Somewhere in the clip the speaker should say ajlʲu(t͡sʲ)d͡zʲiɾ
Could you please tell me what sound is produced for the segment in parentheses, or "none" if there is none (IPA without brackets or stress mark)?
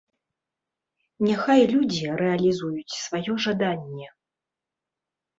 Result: none